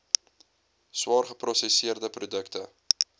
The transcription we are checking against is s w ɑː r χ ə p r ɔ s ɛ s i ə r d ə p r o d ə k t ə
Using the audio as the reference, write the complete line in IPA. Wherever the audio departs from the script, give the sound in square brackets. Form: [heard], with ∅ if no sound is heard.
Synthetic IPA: s w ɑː r χ ə p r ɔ s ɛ s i ə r d ə p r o d ə k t ə